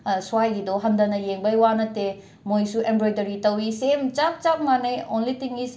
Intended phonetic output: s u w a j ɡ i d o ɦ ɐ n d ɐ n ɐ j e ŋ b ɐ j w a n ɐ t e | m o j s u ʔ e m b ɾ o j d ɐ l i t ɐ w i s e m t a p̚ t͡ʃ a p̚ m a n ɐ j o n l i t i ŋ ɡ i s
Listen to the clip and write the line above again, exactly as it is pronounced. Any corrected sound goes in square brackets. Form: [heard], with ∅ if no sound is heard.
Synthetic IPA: s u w a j ɡ i d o ɦ ɐ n d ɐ n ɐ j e ŋ b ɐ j w a n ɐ t e | m o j s u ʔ e m b ɾ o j d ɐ [ɾ] i t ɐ w i s e m [t͡ʃ] a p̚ t͡ʃ a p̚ m a n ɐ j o n l i t i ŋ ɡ i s

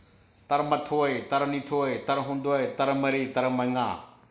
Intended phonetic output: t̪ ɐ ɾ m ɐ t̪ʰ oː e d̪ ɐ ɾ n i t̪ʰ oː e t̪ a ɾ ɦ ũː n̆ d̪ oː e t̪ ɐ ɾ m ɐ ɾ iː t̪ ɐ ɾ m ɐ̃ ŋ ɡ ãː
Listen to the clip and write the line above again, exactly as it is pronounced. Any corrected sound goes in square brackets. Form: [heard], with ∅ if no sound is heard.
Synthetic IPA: t̪ ɐ ɾ m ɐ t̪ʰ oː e [t̪] ɐ ɾ n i t̪ʰ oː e t̪ [ɐ] ɾ ɦ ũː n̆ d̪ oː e t̪ ɐ ɾ m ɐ ɾ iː t̪ ɐ ɾ m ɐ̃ ŋ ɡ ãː

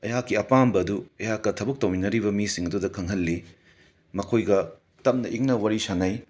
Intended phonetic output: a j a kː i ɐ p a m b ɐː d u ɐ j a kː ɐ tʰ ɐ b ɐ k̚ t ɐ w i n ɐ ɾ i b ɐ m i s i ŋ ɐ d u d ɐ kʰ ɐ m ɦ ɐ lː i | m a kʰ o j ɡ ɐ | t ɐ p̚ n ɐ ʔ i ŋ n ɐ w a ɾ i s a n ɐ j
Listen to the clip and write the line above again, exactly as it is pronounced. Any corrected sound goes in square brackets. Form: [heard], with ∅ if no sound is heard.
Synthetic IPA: [ɐ] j a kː i ɐ p a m b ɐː d u ɐ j a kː ɐ tʰ ɐ b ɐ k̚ t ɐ w i n ɐ ɾ i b ɐ m i s i ŋ ɐ d u d ɐ kʰ ɐ [ŋ] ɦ ɐ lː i | m [ɐ] kʰ o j ɡ ɐ | t ɐ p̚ n ɐ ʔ i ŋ n ɐ w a ɾ i s a n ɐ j

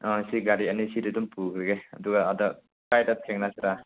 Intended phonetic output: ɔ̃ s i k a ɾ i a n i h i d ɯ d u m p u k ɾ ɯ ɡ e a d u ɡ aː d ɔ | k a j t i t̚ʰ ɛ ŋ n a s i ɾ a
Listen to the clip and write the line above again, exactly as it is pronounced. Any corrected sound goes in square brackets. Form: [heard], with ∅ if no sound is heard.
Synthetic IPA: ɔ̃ s i [ɡ] a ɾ i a n i [s] i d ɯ d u m p u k ɾ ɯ ɡ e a d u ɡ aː d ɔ | k a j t [a] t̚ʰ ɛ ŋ n a s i ɾ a

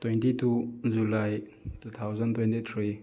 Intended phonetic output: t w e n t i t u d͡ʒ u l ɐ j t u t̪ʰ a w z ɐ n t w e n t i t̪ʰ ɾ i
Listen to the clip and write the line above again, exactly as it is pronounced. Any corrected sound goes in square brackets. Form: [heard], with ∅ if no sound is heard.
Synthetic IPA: t w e n t i t u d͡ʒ u l [a] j t u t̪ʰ a w z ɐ n t w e n t i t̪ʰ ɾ i

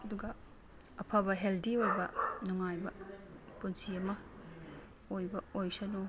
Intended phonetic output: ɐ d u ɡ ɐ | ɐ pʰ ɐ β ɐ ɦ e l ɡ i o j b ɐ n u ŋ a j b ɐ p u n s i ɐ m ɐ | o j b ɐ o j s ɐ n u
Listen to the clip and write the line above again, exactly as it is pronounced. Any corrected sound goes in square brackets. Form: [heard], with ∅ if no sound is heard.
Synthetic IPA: ɐ d u ɡ ɐ | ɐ pʰ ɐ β ɐ ɦ e l [d] i o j b ɐ n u ŋ a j b ɐ p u n s i ɐ m ɐ | o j b ɐ o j s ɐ n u

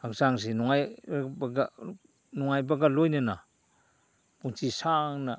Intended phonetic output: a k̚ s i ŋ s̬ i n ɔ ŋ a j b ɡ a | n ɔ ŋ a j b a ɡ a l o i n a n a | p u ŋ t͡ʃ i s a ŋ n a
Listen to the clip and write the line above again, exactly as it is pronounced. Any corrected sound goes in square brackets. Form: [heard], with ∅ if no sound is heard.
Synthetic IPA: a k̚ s [a] ŋ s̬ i n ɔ ŋ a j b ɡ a | n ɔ ŋ a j b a ɡ a l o [j] n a n a | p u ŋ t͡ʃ i s a ŋ n a

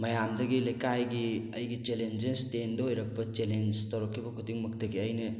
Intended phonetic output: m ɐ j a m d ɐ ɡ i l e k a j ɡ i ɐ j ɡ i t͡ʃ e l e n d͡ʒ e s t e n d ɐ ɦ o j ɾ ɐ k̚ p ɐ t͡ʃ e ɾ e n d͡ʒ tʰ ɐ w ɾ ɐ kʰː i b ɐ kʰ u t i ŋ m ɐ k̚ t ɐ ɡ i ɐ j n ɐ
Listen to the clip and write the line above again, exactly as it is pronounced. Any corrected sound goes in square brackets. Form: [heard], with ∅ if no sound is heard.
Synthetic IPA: m ɐ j a m d ɐ ɡ i l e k a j ɡ i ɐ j ɡ i t͡ʃ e l e n d͡ʒ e s t e n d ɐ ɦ o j ɾ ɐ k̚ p ɐ t͡ʃ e [l] e n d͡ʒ [t] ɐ w ɾ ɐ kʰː i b ɐ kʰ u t i ŋ m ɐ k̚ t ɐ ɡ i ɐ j n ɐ

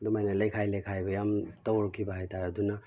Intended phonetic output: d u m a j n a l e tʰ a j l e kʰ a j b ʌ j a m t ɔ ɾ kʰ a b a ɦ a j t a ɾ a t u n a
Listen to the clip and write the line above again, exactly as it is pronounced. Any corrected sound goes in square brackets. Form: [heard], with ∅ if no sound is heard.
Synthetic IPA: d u m a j n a l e [kʰ] a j l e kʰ a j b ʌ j a m t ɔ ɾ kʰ [i] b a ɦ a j t a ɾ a [d] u n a

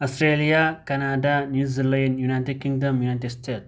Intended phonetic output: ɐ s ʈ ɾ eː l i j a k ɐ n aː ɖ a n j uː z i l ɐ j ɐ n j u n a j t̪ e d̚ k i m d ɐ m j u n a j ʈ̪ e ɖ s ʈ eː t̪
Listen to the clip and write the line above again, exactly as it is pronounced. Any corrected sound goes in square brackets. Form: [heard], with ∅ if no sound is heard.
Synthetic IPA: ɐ s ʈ ɾ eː l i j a k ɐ n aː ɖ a n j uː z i l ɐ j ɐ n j u n a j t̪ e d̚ k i [ŋ] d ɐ m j u n a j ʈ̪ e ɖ s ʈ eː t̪

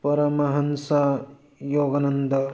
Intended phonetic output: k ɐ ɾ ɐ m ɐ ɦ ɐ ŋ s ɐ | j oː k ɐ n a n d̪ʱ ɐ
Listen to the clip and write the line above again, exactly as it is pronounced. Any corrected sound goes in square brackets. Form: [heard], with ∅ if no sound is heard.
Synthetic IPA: [p] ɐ ɾ ɐ m ɐ ɦ ɐ [n] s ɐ | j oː [ɡ] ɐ n [ɐ] n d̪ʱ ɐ

